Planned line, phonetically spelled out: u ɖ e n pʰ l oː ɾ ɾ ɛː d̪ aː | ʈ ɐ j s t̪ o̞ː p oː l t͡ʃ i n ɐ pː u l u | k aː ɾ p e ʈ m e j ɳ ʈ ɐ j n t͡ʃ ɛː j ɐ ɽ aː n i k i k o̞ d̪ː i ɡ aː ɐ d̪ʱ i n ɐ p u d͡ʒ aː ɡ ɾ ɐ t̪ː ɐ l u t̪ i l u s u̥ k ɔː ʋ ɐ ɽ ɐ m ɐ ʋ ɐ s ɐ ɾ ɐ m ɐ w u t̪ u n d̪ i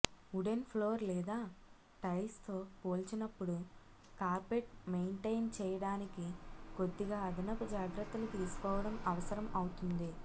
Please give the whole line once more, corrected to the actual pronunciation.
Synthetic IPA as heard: u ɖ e n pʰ l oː ɾ l ɛː d̪ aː | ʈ ɐ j s t̪ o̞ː p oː l t͡ʃ i n ɐ pː u ɽ u | k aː ɾ p e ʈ m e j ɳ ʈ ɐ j n t͡ʃ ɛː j ɐ ɽ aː n i k i k o̞ d̪ː i ɡ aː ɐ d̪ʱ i n ɐ p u d͡ʒ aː ɡ ɾ ɐ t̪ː ɐ l u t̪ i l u s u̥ k ɔː ʋ ɐ ɽ ɐ m ɐ ʋ ɐ s ɐ ɾ ɐ m ɐ w u t̪ u n d̪ i

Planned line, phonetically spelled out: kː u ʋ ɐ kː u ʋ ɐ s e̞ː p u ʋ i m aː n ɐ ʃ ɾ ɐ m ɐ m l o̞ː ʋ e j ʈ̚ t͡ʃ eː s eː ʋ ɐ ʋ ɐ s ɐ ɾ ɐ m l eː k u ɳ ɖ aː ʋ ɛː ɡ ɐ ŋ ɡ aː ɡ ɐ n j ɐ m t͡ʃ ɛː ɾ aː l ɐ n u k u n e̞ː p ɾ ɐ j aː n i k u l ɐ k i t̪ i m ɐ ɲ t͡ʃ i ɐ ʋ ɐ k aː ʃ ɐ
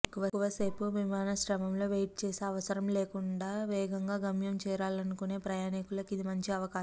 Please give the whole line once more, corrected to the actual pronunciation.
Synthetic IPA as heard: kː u ʋ ɐ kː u ʋ ɐ s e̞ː p u ʋ i m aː n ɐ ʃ ɾ ɐ m ɐ m l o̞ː ʋ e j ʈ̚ t͡ʃ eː s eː ɐ ʋ ɐ s ɐ ɾ ɐ m l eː k u ɳ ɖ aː ʋ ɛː ɡ ɐ ŋ ɡ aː ɡ ɐ m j ɐ m t͡ʃ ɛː ɾ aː l ɐ n u k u n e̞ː p ɾ ɐ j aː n i k u l ɐ k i d̪ i m ɐ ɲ t͡ʃ i ɐ ʋ ɐ k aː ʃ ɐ

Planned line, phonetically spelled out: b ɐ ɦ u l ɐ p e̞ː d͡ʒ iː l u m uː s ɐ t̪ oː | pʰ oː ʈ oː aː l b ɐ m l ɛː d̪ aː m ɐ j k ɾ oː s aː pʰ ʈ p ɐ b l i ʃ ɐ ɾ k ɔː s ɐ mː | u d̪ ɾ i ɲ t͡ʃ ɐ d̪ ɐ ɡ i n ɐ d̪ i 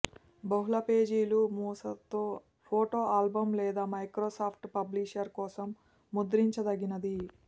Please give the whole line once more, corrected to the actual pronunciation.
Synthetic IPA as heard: b ɐ ɦ u l ɐ p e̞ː d͡ʒ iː l u m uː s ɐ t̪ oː | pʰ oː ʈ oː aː l b ɐ m l ɛː d̪ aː m ɐ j k ɾ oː s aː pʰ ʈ p ɐ b l i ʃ ɐ ɾ k ɔː s ɐ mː | u d̪ ɾ i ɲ t͡ʃ ɐ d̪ ɐ ɡ i n ɐ d̪ i

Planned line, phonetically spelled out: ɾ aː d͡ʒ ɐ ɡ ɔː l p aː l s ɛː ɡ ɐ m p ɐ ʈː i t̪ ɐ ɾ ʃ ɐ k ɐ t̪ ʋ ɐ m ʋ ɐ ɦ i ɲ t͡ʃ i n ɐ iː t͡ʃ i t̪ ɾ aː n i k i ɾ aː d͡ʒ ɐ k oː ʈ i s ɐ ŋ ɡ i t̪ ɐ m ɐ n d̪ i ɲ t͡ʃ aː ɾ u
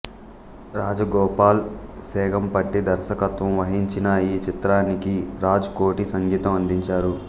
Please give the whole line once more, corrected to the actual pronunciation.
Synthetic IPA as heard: ɾ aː d͡ʒ ɐ ɡ ɔː p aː l s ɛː ɡ ɐ m p ɐ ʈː i d̪ ɐ ɾ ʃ ɐ k ɐ t̪ ʋ ɐ m ʋ ɐ ɦ i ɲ t͡ʃ i n ɐ iː t͡ʃ i t̪ ɾ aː n i k i ɾ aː d͡ʒ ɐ k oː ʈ i s ɐ ŋ ɡ iː t̪ ɐ m ɐ n d̪ i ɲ t͡ʃ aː ɾ u

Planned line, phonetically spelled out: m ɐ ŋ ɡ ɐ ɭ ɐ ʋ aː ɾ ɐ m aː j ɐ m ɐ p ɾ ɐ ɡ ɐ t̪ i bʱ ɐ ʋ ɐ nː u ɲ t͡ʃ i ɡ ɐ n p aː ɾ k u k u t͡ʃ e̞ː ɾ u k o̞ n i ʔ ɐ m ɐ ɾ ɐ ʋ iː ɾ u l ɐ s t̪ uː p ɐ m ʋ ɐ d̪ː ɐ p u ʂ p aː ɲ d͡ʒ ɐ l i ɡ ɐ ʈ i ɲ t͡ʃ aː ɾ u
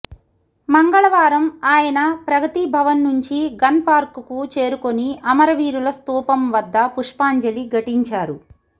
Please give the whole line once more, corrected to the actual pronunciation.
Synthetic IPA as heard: m ɐ ŋ ɡ ɐ ɭ ɐ ʋ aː ɾ ɐ m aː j ɐ n ɐ p ɾ ɐ ɡ ɐ t̪ i bʱ ɐ ʋ ɐ nː u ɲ t͡ʃ i ɡ ɐ n p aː ɾ k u k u t͡ʃ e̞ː ɾ u k o̞ n i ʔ ɐ m ɐ ɾ ɐ ʋ iː ɾ u l ɐ s t̪ uː p ɐ m ʋ ɐ d̪ː ɐ p u ʂ p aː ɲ d͡ʒ ɐ l i ɡ ɐ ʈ i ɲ t͡ʃ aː ɾ u

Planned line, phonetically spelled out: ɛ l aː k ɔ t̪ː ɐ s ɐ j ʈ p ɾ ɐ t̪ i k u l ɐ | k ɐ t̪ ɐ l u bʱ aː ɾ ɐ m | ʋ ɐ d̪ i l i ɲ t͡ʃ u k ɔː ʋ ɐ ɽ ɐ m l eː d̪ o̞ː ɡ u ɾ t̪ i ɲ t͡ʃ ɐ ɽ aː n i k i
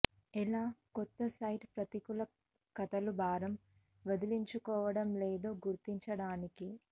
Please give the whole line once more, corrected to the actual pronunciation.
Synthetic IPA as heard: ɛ l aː k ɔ t̪ː ɐ s ɐ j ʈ p ɾ ɐ t̪ i k u l ɐ | k ɐ t̪ ɐ l u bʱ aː ɾ ɐ m | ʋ ɐ d̪ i l i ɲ t͡ʃ u k ɔː ʋ ɐ ɽ ɐ m l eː d̪ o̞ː ɡ u ɾ t̪ i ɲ t͡ʃ ɐ ɽ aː n i k i

